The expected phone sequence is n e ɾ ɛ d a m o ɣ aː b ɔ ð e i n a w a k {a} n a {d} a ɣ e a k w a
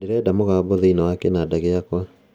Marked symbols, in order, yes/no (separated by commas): no, yes